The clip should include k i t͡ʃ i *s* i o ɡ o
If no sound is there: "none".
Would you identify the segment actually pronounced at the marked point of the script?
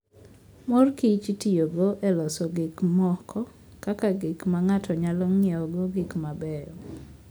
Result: t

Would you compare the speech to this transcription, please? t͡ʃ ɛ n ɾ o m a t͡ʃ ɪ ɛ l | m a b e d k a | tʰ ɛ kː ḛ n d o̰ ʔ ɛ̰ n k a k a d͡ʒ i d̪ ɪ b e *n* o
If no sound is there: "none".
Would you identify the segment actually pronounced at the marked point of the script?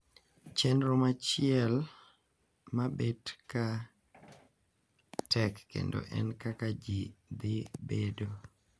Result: d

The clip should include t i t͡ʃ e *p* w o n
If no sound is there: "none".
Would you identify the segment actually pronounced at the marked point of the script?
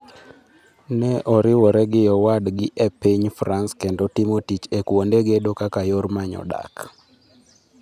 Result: k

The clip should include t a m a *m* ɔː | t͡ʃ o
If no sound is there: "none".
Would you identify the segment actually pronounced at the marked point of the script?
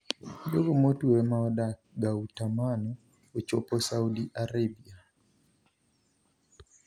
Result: n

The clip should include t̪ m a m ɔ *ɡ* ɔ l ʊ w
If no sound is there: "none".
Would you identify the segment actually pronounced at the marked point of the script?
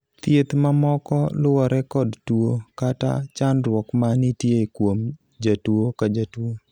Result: k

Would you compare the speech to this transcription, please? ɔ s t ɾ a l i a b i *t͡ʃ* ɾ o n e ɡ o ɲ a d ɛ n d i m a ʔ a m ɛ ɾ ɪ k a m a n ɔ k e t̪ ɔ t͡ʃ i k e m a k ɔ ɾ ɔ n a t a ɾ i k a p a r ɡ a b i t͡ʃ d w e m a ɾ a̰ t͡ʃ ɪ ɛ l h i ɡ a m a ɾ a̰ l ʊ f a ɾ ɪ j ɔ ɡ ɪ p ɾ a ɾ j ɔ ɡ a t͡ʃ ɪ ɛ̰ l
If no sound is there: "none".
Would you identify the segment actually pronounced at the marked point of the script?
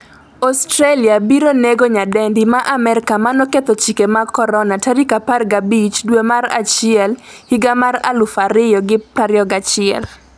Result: none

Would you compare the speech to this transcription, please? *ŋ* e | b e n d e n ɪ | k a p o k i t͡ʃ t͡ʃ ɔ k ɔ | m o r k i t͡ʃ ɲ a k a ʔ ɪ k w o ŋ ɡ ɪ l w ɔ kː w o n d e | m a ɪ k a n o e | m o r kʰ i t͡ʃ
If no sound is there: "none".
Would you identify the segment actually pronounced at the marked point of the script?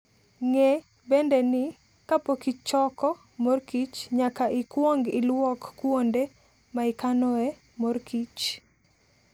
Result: ŋ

